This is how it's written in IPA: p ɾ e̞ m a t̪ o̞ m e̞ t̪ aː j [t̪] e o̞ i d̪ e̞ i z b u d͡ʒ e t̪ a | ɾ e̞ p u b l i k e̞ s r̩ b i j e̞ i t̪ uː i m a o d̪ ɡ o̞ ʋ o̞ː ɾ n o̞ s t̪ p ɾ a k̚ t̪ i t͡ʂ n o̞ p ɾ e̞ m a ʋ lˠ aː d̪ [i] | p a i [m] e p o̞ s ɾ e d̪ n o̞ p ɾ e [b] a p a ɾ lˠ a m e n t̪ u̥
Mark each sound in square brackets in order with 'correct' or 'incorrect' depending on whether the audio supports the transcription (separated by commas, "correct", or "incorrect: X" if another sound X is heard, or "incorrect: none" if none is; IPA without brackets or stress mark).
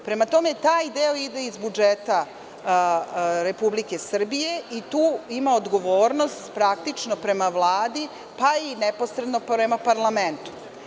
incorrect: d̪, correct, incorrect: n, incorrect: m